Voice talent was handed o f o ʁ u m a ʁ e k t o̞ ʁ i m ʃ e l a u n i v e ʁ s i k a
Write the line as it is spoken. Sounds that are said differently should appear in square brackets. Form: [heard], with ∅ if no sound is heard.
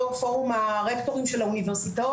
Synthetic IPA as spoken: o f o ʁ u m a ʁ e k t o̞ ʁ i m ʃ e l a u n i v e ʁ s i [t] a